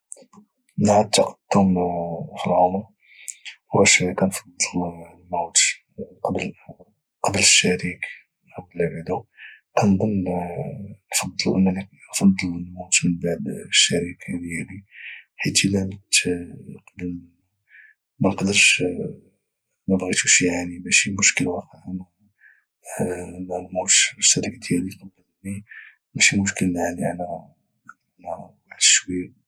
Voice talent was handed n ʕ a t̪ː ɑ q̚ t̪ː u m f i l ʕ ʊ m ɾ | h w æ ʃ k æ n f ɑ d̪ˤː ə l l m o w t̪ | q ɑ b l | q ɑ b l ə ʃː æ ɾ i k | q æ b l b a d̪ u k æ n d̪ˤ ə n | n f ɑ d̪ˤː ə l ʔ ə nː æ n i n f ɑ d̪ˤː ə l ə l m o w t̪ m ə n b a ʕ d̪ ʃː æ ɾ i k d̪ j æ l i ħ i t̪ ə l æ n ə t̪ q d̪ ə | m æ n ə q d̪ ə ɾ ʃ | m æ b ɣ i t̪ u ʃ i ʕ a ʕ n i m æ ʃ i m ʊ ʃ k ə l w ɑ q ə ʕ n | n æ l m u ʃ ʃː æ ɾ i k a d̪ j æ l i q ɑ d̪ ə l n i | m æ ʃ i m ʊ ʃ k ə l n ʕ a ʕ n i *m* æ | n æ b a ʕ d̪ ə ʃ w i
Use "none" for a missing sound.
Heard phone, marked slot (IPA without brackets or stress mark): n